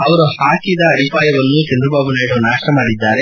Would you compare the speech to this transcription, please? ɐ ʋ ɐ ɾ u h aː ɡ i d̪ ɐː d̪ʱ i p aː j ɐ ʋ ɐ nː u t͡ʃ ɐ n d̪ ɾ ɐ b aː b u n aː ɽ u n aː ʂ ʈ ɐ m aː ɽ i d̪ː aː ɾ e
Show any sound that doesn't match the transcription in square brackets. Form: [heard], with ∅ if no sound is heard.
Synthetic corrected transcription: ɐ ʋ ɐ ɾ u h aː [k] i d̪ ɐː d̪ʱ i p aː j ɐ ʋ ɐ nː u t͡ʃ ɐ n d̪ ɾ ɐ b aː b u n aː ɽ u n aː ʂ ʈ ɐ m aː ɽ i d̪ː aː ɾ e